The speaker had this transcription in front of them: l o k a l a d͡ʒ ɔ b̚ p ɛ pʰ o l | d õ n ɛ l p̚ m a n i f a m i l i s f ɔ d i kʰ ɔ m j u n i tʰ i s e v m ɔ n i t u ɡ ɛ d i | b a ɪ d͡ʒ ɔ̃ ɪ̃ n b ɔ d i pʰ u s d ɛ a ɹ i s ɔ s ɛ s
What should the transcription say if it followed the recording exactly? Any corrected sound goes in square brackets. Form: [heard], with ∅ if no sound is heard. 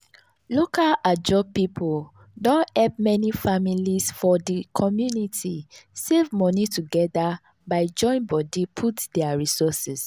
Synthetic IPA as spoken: l o k a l a d͡ʒ ɔ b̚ p [i] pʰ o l | d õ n ɛ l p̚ m [ɛ] n i f a m i l i s f ɔ d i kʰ ɔ m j u n i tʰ i s e v m ɔ n i t u ɡ ɛ d [a] | b a ɪ d͡ʒ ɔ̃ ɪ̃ n b ɔ d i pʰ u [t] d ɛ a ɹ i s ɔ s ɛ s